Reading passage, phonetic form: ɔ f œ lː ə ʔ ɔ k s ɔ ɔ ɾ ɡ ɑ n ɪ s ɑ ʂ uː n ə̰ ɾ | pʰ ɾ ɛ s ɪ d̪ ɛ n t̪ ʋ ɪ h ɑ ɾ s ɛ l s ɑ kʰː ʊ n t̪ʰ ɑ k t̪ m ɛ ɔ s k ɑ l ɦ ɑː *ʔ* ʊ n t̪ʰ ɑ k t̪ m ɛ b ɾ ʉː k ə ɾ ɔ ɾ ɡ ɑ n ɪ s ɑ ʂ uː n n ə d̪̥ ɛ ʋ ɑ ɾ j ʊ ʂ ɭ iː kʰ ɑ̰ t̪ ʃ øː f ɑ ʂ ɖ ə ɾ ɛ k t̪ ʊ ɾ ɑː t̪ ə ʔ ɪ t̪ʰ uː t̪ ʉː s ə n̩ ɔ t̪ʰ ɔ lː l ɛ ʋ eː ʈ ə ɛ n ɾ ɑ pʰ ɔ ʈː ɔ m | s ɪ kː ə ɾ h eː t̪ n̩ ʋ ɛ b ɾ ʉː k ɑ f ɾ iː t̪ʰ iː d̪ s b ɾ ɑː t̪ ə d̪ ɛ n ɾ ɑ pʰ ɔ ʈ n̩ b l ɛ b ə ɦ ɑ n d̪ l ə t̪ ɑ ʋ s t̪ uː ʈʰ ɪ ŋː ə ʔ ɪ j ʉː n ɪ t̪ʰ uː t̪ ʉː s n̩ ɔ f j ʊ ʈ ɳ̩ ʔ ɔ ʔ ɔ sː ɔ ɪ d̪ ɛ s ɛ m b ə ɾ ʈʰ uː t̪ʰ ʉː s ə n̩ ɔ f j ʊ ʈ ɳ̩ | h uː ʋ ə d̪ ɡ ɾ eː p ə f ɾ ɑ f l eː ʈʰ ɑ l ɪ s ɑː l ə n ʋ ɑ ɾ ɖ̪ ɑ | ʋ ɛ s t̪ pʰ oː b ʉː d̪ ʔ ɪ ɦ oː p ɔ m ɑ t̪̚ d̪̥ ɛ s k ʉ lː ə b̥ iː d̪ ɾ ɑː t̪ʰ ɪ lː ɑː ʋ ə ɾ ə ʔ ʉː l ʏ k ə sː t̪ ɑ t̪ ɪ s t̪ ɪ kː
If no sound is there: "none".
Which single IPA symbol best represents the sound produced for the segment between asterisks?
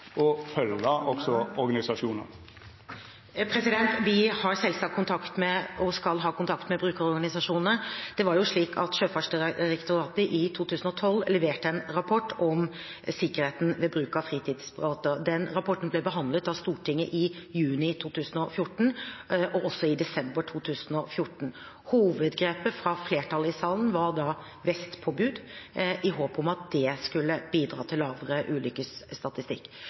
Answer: k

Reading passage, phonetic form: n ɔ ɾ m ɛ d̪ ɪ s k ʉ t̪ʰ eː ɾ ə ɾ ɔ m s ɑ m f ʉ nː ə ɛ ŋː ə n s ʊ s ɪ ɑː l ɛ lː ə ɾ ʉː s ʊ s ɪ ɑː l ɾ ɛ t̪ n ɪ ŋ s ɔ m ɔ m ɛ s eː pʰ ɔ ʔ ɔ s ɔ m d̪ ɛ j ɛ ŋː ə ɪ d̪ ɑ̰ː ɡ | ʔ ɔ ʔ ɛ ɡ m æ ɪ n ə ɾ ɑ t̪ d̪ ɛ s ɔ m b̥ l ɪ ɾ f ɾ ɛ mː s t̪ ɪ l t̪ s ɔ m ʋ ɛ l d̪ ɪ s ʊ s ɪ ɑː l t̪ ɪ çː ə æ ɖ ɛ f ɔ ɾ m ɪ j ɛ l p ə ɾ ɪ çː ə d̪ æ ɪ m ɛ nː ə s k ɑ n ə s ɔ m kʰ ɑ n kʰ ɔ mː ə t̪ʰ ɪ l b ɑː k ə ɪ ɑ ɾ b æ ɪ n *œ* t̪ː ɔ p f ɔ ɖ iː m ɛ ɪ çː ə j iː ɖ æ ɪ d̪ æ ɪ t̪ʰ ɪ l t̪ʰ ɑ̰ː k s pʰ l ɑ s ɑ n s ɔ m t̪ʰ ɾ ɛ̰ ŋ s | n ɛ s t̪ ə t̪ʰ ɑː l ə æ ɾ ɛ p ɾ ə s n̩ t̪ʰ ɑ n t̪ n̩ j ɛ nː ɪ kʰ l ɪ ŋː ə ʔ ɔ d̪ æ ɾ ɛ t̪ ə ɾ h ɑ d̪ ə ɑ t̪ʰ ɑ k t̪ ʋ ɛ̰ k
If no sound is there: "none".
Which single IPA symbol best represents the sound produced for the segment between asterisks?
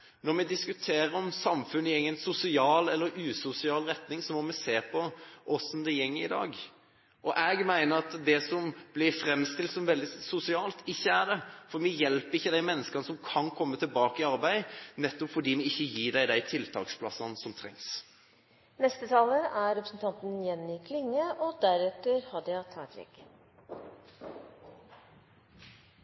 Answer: ɛ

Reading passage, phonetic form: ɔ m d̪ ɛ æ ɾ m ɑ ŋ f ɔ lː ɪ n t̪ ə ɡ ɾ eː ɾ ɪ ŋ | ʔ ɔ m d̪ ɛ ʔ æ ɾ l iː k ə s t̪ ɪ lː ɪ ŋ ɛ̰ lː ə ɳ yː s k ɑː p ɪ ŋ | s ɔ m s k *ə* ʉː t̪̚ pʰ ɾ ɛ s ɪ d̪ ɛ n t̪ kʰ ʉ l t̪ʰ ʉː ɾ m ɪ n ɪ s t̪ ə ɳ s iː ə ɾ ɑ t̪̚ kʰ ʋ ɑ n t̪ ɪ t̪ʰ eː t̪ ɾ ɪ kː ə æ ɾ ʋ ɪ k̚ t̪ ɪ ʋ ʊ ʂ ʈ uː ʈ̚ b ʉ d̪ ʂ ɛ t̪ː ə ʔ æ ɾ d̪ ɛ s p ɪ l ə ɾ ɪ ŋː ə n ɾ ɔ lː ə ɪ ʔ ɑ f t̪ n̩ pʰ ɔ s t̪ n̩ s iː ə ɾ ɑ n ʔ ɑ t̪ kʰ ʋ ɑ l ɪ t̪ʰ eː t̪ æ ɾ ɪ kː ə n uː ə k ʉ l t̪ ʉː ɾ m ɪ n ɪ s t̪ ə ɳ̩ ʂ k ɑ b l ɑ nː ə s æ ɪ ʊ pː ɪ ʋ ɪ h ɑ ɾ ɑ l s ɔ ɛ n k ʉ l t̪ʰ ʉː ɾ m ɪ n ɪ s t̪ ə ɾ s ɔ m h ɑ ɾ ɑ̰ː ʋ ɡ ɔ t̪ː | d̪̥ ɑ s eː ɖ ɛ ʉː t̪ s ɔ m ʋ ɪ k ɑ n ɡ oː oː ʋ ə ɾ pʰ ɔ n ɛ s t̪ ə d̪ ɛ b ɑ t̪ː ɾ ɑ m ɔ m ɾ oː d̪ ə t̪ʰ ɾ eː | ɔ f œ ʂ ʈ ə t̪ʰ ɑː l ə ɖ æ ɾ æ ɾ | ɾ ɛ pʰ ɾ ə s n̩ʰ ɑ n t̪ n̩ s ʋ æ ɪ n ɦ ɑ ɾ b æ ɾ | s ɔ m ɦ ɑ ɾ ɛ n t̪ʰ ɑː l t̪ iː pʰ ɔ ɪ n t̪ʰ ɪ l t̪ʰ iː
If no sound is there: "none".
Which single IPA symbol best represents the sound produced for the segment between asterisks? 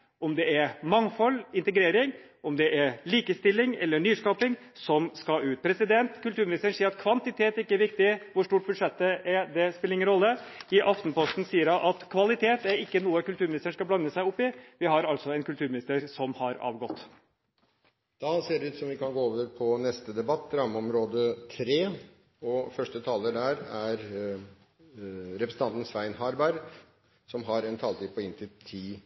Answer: ɑ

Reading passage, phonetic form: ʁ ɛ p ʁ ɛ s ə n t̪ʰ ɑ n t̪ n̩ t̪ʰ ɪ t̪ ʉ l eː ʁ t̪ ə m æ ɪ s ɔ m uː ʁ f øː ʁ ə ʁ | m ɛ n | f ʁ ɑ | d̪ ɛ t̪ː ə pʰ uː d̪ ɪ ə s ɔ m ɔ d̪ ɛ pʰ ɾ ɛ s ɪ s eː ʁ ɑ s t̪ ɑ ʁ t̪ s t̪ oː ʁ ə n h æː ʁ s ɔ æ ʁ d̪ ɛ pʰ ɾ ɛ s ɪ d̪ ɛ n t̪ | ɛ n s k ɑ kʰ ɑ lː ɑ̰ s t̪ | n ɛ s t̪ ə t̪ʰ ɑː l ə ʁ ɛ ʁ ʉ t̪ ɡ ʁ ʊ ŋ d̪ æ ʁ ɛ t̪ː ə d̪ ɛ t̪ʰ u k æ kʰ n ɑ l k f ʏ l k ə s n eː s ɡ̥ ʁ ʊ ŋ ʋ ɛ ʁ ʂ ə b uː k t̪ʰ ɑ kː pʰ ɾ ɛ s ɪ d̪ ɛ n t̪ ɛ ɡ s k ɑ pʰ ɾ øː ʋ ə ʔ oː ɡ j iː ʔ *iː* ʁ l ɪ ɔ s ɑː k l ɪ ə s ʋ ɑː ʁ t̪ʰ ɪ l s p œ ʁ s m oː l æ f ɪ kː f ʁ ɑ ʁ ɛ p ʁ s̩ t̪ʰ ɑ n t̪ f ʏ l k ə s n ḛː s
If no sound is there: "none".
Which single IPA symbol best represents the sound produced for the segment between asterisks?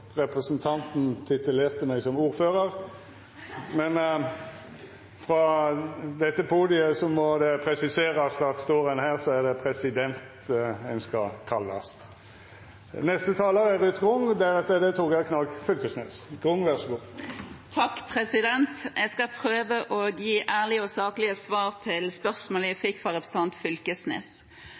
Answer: æː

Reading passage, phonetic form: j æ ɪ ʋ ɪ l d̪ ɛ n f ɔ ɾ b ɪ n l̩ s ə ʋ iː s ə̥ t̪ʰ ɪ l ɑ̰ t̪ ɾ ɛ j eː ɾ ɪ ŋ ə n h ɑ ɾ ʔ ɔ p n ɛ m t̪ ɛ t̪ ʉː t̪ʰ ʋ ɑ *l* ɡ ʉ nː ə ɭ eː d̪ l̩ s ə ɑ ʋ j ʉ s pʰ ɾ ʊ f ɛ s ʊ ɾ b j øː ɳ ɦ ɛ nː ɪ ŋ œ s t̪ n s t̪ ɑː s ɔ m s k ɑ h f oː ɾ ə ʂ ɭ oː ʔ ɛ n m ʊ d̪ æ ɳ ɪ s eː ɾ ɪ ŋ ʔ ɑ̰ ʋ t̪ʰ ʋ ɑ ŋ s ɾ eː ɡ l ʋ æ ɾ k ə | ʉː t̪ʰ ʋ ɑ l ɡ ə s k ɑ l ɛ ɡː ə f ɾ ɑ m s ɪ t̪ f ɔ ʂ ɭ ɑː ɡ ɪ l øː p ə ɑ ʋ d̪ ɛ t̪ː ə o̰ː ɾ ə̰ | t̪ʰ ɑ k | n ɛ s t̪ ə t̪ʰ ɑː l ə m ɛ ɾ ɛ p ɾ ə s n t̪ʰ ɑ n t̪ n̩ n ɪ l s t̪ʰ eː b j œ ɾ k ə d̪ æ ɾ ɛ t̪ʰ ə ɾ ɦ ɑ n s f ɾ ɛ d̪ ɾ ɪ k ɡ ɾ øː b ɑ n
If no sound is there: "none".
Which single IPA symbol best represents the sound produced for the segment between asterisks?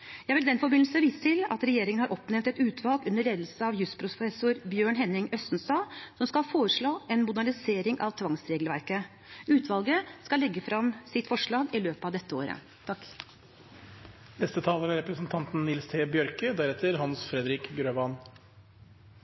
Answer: l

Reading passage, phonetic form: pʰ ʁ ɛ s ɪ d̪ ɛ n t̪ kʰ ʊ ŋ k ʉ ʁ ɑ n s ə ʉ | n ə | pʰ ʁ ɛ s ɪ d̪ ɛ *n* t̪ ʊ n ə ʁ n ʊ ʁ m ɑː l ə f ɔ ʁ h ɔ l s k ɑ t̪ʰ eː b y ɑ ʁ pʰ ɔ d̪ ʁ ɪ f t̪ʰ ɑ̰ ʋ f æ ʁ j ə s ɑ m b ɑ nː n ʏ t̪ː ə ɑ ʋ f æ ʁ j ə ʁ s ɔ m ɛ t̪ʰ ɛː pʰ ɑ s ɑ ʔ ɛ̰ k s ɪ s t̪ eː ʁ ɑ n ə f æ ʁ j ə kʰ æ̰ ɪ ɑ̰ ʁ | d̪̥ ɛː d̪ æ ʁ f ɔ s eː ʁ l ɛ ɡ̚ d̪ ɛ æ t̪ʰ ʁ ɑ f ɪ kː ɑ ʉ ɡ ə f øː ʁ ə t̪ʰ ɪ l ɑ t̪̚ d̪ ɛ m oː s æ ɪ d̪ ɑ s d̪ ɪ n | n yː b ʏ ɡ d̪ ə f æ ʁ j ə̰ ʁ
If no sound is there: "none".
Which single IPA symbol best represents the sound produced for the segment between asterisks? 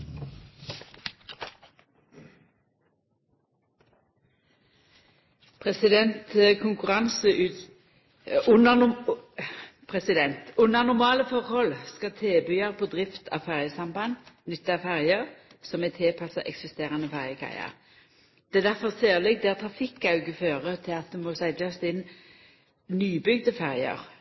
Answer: n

